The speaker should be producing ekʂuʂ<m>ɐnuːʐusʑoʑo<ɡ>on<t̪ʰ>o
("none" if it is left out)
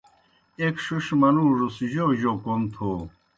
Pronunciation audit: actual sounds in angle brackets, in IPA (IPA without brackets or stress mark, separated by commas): m, k, t̪ʰ